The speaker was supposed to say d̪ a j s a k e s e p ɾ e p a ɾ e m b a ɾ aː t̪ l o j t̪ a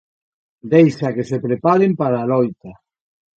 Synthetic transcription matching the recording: d̪ e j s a k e s e p ɾ e p a ɾ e m p a ɾ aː l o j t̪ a